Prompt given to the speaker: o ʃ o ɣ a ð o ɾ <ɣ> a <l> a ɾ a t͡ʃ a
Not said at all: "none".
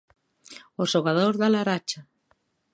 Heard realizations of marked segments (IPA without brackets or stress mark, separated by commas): ð, l